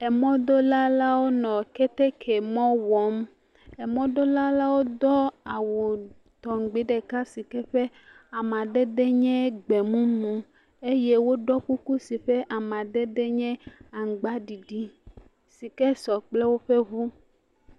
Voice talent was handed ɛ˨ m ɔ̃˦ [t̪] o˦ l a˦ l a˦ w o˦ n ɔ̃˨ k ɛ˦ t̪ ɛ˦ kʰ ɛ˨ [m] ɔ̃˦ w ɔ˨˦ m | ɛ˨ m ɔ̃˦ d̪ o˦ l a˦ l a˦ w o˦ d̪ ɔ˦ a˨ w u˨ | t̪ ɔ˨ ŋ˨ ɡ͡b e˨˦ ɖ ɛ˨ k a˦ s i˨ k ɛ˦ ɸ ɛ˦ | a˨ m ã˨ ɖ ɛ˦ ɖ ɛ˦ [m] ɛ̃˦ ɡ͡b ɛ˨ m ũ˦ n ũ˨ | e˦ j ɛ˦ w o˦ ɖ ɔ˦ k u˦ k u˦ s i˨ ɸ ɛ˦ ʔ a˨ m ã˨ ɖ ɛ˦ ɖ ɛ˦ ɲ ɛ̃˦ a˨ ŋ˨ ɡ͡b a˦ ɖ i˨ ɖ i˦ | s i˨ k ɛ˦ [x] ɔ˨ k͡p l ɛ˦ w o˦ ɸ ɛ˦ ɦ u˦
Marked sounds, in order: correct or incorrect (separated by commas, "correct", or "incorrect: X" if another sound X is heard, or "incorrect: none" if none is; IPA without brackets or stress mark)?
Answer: incorrect: d̪, correct, incorrect: ɲ, incorrect: s